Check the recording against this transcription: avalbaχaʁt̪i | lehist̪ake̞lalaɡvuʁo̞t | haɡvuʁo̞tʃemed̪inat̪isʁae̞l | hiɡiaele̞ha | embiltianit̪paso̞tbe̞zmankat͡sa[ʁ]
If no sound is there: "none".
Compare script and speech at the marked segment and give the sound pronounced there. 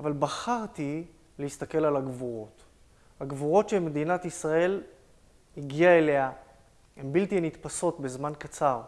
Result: ʁ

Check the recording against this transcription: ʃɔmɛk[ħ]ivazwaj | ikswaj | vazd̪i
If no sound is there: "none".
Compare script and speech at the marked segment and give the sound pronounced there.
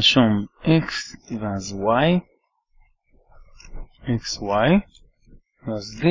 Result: s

